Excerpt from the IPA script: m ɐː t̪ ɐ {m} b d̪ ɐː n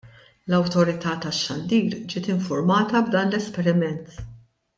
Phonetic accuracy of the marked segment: incorrect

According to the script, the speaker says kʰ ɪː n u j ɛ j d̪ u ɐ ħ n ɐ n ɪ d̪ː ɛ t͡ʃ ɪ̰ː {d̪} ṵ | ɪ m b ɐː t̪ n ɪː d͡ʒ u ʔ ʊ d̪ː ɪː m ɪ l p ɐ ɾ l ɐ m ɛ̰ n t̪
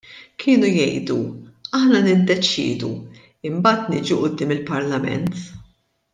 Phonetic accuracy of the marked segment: correct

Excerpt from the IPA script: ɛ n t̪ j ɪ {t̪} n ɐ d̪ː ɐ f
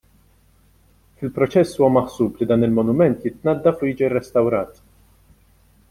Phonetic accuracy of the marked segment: correct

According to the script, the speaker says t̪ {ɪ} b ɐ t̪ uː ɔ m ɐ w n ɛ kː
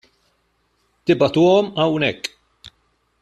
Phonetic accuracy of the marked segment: correct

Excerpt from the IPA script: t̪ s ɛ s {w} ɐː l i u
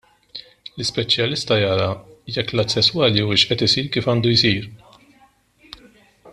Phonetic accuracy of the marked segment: correct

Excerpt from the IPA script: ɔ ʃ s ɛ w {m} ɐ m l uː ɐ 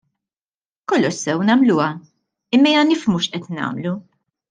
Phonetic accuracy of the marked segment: incorrect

